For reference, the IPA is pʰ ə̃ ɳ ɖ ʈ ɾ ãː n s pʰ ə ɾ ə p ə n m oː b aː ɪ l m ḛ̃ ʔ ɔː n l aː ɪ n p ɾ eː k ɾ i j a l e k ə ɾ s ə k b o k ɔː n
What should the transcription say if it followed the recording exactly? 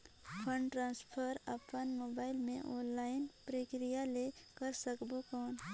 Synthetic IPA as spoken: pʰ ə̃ ɳ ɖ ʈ ɾ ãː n s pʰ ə ɾ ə p ə n m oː b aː ɪ l m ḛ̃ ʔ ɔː n l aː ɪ n p ɾ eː k ɾ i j a l e k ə ɾ s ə k b o k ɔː n